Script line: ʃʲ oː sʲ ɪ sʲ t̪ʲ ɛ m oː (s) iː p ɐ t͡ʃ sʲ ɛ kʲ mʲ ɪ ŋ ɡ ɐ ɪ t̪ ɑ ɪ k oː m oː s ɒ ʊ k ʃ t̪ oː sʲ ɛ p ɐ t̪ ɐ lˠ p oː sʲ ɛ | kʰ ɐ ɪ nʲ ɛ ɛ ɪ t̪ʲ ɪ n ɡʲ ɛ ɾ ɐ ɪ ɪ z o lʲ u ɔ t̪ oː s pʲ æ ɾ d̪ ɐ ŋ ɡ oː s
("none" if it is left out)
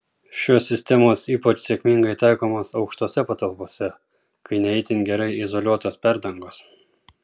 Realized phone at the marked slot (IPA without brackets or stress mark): s